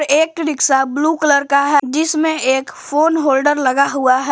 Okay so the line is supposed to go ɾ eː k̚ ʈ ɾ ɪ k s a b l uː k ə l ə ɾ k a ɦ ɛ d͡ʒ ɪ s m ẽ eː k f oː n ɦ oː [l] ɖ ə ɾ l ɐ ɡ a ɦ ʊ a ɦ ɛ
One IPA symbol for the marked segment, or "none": l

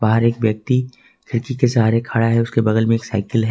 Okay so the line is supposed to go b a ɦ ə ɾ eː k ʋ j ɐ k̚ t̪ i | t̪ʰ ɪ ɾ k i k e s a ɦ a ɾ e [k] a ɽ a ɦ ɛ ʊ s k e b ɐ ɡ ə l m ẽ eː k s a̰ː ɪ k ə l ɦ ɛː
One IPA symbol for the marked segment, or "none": kʰ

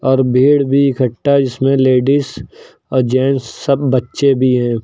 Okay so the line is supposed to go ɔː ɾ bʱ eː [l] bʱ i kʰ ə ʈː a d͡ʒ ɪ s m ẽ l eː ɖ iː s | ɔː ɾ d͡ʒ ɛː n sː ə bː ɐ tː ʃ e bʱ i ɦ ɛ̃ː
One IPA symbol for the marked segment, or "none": ɽ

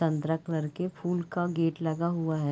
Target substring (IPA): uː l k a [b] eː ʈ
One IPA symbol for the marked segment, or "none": ɡ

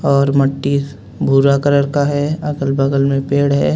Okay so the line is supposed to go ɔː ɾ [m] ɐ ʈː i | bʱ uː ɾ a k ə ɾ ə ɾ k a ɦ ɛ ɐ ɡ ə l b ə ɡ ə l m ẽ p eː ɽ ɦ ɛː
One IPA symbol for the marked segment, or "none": m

